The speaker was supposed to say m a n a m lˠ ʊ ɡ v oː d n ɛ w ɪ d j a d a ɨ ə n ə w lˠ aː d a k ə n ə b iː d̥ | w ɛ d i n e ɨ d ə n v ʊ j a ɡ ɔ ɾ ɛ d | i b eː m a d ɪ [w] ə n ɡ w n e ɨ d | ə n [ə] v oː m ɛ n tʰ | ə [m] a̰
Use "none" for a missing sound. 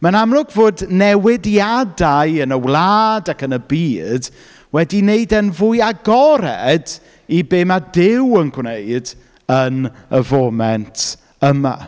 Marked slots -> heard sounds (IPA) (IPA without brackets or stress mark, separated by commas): w, ə, m